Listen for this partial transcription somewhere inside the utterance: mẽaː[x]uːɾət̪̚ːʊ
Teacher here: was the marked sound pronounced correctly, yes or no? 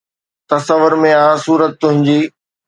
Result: no